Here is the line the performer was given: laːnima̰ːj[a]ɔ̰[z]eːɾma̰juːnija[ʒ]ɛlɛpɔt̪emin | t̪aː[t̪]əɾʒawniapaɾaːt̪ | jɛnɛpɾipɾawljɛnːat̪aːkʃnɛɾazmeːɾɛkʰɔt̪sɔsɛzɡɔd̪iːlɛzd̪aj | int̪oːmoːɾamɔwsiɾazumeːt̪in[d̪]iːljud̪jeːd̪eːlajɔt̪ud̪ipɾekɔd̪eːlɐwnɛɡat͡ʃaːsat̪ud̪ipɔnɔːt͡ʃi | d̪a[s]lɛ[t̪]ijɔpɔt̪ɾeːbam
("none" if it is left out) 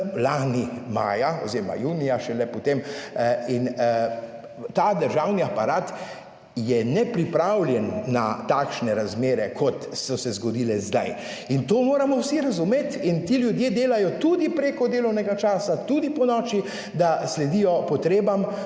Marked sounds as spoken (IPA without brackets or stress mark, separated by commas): a, z, ʃ, d̪, t̪, s, d̪